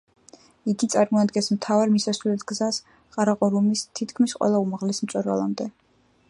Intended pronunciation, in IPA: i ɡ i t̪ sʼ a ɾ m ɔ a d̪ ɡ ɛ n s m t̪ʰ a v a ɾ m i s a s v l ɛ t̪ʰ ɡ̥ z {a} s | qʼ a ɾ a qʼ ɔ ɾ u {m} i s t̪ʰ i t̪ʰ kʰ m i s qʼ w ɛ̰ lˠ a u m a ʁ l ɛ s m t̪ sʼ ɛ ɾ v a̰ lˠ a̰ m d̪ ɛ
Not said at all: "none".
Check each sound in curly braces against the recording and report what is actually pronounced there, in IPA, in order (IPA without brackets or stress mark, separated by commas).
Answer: a, m